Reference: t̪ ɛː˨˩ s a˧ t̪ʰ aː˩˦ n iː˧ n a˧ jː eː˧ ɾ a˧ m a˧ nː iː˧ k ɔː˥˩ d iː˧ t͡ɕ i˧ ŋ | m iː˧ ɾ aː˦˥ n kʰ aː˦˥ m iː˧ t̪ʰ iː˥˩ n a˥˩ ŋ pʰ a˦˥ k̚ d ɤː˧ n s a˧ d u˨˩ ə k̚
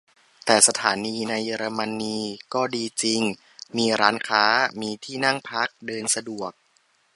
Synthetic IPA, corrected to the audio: t̪ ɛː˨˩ s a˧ t̪ʰ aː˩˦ n iː˧ n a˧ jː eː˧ ɾ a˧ m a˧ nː iː˧ k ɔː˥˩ d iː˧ t͡ɕ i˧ ŋ | m iː˧ ɾ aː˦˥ n kʰ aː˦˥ m iː˧ t̪ʰ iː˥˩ n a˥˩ ŋ pʰ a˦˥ k̚ d ɤː˧ n s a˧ d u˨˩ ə k̚